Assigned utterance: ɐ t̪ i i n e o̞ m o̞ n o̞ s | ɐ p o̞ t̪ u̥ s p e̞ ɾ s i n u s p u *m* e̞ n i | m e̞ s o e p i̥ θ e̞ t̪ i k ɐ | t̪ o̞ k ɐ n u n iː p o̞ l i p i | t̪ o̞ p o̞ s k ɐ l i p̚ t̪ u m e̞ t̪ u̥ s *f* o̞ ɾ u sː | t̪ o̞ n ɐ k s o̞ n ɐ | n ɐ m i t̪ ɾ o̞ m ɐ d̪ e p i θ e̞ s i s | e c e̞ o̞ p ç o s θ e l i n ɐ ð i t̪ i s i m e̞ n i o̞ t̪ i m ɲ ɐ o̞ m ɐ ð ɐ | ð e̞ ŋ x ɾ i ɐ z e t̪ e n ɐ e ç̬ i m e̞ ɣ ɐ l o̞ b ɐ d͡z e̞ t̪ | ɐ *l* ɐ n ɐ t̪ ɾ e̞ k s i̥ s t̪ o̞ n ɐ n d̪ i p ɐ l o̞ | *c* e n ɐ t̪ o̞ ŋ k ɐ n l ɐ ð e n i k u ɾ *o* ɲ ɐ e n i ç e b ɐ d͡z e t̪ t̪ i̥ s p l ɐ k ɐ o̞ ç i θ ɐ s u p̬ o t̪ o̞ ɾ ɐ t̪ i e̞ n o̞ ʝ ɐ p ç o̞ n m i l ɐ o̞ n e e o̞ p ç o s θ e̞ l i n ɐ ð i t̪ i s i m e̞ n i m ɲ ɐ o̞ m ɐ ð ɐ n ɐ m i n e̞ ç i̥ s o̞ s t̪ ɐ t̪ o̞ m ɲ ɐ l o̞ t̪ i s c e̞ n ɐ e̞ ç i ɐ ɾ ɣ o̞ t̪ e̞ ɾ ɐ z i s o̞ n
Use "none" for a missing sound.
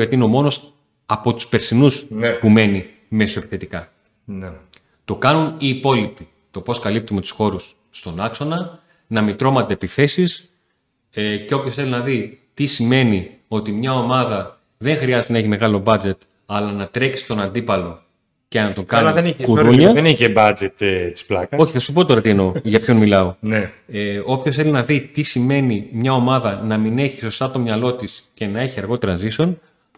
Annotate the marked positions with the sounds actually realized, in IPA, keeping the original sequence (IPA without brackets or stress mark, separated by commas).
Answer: m, x, l, c, u